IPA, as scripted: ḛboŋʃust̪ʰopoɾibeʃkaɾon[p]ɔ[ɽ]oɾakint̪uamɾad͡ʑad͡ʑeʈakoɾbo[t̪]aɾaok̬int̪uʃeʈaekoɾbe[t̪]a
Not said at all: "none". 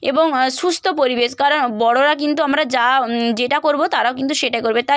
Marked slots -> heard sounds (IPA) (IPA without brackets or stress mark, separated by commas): b, ɽ, t̪, t̪